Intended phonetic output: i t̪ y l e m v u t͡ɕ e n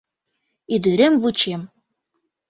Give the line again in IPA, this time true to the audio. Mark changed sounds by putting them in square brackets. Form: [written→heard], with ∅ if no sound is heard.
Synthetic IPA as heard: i [t̪→d̪] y [l→ɾ] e m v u t͡ɕ e [n→m]